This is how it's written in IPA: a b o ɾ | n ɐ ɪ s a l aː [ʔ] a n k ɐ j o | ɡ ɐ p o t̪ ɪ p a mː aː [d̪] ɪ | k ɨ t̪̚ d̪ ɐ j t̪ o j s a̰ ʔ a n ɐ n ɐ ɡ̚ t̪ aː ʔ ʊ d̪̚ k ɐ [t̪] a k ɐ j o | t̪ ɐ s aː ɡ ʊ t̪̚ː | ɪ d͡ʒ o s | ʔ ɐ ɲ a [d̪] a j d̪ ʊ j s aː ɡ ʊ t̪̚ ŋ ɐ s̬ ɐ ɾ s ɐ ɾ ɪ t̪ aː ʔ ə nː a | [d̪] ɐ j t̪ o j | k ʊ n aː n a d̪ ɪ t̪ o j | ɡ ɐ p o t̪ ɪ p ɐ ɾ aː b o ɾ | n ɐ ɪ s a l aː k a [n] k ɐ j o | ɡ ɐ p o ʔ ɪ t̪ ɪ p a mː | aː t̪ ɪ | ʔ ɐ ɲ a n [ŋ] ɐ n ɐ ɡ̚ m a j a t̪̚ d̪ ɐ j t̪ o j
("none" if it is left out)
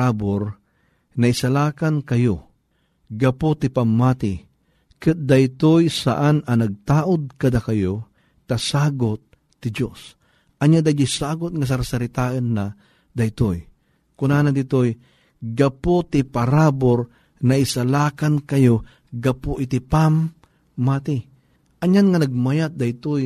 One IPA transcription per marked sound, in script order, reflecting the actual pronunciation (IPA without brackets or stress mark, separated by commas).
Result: k, t̪, d̪, d̪, d̪, n, ŋ